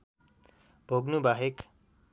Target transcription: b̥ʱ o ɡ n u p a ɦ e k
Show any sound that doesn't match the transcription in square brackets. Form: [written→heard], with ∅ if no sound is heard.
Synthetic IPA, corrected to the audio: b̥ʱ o ɡ n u [p→b] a ɦ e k

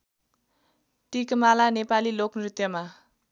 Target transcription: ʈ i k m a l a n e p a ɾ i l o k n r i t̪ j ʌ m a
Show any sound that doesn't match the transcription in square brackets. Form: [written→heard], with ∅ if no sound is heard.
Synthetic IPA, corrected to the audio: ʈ i k m a l a n e p a [ɾ→l] i l o k n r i t̪ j ʌ m a

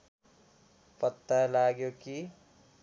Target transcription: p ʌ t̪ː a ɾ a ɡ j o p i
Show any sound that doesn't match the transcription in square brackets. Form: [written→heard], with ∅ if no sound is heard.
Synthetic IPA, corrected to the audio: p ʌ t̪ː a [ɾ→l] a ɡ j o [p→k] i

